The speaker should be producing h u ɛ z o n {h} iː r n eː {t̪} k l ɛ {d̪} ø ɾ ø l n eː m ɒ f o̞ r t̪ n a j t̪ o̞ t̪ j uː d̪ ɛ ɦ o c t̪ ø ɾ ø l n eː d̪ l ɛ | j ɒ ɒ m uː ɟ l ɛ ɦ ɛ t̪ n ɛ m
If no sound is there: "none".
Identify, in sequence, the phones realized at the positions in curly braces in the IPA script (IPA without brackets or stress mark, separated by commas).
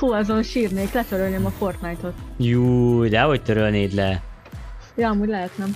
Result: ʃ, none, t̪